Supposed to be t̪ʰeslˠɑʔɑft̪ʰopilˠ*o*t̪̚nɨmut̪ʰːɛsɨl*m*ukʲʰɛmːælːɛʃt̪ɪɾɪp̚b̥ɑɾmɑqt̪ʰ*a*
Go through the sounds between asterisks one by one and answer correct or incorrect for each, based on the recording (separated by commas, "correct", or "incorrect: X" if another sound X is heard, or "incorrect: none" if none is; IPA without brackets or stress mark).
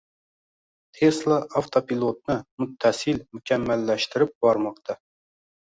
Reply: correct, correct, incorrect: ɑ